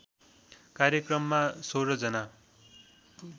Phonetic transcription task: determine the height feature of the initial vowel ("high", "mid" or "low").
low